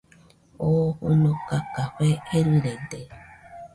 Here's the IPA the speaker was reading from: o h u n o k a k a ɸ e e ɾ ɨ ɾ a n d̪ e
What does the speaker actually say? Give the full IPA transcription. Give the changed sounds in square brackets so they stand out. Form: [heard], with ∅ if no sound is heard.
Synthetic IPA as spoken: o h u n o k a k a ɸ e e ɾ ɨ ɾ [e] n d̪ e